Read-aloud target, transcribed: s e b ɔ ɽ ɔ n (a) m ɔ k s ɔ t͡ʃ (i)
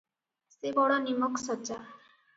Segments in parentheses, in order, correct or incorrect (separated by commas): incorrect, incorrect